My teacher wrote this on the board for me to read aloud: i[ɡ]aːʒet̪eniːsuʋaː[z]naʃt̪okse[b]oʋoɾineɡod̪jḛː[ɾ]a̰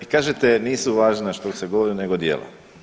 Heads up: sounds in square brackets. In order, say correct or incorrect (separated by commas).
incorrect, incorrect, incorrect, incorrect